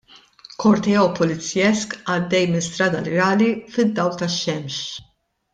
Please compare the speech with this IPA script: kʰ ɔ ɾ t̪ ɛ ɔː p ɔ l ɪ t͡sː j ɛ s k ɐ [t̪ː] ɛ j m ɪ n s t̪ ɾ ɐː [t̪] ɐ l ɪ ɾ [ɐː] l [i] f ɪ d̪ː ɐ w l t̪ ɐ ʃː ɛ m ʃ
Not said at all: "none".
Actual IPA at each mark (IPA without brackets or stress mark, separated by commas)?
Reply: d̪ː, d̪, ɐː, i